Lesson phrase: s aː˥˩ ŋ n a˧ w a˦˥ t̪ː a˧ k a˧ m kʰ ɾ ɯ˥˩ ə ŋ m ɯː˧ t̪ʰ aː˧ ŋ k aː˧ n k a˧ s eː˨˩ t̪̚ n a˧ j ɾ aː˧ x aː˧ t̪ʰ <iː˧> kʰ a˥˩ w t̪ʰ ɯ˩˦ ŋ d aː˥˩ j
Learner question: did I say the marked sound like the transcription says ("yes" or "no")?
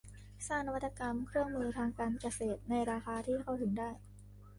no